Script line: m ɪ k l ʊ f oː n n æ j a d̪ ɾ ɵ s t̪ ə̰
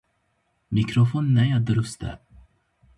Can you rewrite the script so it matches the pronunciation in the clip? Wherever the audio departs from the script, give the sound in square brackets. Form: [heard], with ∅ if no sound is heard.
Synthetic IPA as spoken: m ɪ k [ɾ] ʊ f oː n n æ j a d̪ ɾ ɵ s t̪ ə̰